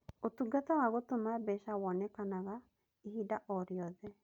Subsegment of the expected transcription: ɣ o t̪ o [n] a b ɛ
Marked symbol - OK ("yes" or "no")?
no